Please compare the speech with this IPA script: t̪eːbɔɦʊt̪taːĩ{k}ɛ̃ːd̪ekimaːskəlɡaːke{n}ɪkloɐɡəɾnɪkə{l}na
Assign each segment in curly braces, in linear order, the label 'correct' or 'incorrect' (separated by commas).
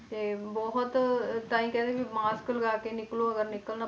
correct, correct, correct